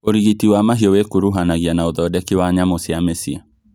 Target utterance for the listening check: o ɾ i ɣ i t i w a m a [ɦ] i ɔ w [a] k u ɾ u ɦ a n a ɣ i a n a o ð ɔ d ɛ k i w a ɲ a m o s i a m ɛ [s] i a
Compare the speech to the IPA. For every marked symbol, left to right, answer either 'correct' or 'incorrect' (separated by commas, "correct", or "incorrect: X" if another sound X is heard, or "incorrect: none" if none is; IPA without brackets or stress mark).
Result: correct, incorrect: e, correct